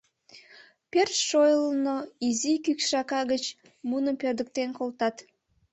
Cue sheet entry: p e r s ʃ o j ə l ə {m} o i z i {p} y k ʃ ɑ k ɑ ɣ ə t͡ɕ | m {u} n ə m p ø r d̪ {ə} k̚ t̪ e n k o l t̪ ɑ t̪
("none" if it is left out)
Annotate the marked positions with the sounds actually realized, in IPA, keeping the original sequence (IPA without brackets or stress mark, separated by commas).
n, k, u, ə